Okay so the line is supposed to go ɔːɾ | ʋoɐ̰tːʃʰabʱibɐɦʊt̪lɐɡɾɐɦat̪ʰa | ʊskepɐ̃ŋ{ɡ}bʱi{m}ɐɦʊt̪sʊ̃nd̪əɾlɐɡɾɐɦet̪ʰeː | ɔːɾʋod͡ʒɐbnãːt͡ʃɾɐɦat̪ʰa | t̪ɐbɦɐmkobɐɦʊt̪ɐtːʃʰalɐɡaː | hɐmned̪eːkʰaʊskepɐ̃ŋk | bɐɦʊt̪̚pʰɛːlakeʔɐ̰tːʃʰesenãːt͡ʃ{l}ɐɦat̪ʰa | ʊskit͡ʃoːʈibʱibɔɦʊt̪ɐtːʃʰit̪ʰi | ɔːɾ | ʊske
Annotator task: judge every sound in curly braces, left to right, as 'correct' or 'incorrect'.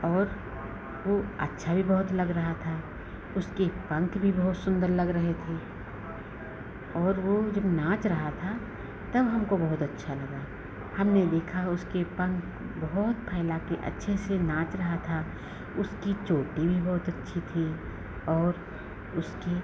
incorrect, incorrect, incorrect

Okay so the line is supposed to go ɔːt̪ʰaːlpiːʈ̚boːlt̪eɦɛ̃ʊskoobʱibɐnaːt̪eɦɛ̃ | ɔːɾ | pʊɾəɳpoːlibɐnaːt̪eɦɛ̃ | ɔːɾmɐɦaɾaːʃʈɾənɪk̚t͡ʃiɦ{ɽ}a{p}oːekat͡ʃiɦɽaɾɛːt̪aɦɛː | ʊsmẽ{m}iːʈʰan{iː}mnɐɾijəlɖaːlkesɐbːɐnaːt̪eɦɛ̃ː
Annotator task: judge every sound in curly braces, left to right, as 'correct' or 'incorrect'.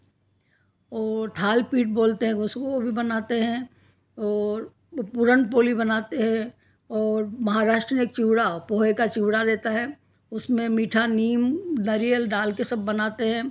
correct, correct, correct, correct

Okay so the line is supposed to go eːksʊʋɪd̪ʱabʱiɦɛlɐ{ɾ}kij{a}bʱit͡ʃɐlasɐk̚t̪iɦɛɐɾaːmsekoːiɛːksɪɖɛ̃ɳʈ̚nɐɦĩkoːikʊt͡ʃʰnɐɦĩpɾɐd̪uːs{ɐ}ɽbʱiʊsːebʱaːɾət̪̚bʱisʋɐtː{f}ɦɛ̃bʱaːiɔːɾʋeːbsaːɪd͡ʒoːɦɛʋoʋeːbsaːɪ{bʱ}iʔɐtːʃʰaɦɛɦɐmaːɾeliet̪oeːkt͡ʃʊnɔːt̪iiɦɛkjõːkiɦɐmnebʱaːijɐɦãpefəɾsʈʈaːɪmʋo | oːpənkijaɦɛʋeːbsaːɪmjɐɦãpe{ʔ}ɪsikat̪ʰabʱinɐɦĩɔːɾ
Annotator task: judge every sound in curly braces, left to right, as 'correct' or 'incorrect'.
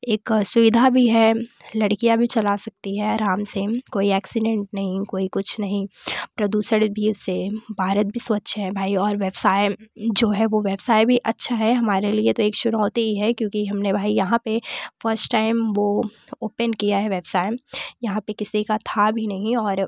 incorrect, correct, incorrect, incorrect, correct, incorrect

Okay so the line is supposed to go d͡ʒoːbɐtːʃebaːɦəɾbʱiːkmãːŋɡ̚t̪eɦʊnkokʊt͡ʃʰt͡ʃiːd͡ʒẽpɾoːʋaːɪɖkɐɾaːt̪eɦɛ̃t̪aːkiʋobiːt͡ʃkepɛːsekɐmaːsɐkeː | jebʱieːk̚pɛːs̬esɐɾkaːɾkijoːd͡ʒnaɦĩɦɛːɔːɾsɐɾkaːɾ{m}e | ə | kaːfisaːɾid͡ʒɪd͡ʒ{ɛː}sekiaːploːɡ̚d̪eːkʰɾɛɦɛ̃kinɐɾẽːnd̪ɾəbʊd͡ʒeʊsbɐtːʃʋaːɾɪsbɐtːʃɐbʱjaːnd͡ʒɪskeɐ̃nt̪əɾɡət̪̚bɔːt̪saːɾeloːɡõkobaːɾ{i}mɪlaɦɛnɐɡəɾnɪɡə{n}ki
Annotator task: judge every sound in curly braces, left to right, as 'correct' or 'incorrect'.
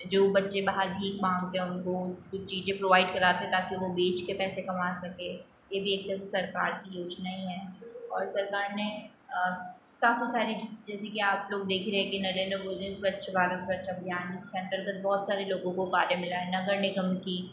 incorrect, correct, incorrect, incorrect

